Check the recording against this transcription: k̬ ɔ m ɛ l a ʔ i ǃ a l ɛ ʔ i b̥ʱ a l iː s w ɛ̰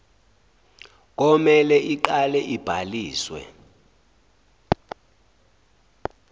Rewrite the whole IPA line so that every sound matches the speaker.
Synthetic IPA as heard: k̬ ɔ m ɛ l ɛ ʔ i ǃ a l ɛ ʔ i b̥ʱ a l iː s w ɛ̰